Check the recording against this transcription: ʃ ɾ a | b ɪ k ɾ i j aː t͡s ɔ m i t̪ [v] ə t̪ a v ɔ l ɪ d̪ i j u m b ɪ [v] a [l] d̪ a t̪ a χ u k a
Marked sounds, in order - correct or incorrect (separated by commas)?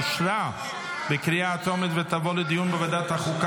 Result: correct, correct, incorrect